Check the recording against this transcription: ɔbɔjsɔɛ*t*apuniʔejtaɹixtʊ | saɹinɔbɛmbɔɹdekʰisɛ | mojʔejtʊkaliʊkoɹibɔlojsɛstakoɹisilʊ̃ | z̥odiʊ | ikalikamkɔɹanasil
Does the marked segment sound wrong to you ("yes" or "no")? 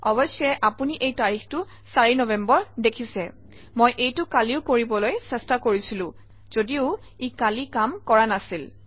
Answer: yes